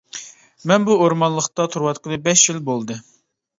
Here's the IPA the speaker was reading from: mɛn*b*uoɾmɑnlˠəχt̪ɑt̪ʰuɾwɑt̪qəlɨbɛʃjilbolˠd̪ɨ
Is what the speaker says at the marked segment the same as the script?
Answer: yes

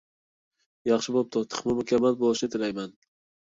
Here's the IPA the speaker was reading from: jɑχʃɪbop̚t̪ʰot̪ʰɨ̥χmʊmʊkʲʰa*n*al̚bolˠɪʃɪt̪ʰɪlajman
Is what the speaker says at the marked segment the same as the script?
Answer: no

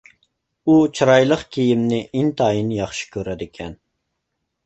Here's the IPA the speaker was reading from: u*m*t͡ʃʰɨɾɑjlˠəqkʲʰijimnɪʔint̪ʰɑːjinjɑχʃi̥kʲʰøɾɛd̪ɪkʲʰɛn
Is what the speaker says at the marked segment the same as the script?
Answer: no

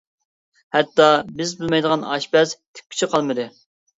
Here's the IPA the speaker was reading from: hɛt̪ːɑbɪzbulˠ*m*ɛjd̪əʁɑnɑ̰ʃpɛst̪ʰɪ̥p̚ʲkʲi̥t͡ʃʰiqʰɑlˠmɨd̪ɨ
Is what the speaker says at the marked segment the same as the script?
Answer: yes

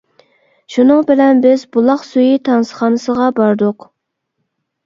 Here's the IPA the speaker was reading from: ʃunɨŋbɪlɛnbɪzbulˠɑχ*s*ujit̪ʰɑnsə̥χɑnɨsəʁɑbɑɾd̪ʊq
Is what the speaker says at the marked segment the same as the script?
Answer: yes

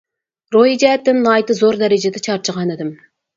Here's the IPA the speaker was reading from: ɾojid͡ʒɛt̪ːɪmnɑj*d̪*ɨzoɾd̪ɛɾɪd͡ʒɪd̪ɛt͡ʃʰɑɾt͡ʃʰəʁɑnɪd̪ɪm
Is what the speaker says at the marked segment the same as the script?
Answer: no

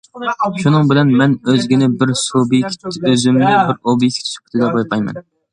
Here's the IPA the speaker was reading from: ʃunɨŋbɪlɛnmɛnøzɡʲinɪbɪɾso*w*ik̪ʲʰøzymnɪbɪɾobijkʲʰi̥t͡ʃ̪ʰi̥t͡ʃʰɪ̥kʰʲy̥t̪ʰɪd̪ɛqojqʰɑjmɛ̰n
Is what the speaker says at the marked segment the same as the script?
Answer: no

